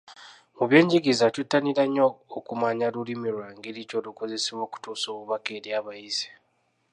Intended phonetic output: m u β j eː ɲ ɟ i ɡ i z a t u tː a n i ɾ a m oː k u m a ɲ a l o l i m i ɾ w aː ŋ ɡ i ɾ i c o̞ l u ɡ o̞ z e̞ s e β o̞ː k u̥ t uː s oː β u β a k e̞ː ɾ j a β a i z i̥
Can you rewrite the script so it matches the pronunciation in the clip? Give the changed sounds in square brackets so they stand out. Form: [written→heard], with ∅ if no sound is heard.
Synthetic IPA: m u β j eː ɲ ɟ i ɡ i z a t u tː a n i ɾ a [m→ɲ] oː k u m a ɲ a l [o→u] l i m i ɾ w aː ŋ ɡ i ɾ i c o̞ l u [ɡ→k] o̞ z e̞ s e β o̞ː k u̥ t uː s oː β u β a k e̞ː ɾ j a β a i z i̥